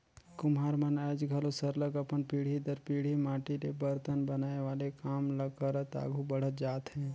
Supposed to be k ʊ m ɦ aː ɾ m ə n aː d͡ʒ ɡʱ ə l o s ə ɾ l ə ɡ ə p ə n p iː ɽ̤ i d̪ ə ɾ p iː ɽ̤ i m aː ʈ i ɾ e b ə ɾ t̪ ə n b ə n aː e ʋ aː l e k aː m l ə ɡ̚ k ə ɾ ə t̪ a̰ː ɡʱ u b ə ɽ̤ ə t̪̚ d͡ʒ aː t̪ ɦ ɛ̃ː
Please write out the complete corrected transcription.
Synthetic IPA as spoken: k ʊ m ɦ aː ɾ m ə n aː d͡ʒ ɡʱ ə l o s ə ɾ l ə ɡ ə p ə n p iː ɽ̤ i d̪ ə ɾ p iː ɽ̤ i m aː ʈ i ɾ e b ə ɾ t̪ ə n b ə n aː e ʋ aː l e k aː m l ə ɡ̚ k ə ɾ ə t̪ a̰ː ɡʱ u b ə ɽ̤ ə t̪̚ d͡ʒ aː t̪ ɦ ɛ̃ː